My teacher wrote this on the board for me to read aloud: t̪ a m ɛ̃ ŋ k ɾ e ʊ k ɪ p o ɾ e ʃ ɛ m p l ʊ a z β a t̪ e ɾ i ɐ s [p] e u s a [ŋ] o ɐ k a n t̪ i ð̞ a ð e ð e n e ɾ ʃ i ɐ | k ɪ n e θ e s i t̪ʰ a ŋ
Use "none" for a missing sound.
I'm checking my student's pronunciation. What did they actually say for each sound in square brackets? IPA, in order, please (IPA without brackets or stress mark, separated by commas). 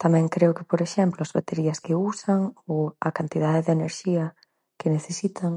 k, ŋ